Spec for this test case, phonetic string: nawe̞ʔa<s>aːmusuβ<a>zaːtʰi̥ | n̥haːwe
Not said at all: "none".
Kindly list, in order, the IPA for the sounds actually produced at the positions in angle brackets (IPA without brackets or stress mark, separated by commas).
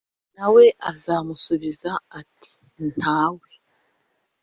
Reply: z, i